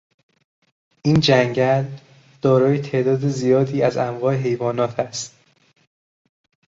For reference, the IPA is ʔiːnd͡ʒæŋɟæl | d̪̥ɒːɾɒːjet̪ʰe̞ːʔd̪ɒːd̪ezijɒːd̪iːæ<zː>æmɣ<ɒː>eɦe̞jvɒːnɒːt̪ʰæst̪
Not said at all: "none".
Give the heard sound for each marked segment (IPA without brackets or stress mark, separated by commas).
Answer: z, ɒː